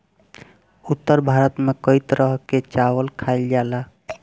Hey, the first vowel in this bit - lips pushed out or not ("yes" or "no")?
yes